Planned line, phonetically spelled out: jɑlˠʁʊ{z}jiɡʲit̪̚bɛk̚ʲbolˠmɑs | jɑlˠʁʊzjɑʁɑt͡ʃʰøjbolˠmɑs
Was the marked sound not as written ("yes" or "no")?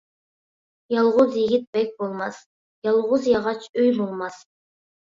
no